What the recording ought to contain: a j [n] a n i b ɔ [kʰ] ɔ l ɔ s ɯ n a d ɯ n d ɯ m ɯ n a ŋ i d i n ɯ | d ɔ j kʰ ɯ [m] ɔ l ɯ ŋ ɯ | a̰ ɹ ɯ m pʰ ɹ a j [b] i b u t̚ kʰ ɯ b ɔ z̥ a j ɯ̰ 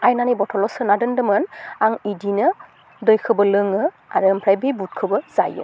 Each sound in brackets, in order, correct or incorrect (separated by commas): correct, incorrect, incorrect, correct